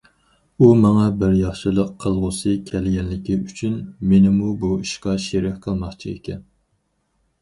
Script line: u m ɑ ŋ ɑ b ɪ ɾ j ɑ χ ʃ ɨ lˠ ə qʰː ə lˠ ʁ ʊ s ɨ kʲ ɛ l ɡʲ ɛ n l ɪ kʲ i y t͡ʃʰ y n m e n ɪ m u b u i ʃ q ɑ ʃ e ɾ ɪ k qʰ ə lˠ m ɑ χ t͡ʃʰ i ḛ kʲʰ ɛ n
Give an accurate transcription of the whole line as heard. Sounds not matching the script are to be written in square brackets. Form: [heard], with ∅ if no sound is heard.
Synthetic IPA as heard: u m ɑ ŋ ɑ b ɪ ɾ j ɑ χ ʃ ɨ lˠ ə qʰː ə lˠ ʁ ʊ s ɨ [kʲʰ] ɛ l ɡʲ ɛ n l ɪ kʲ i y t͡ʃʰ y n m e n ɪ m u b u i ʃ q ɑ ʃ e ɾ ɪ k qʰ ə lˠ m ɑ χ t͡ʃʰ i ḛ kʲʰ ɛ n